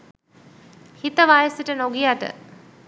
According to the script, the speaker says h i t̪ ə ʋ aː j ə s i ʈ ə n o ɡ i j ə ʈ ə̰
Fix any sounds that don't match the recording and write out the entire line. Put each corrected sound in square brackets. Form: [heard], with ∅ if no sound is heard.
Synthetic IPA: h i t̪ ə ʋ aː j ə s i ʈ ə n o ɡ i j [a] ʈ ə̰